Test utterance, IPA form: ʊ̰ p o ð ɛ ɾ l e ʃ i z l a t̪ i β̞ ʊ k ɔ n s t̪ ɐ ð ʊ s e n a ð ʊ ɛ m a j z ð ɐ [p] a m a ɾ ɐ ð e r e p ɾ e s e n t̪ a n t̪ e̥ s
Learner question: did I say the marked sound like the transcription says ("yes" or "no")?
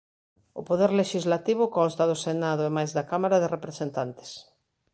no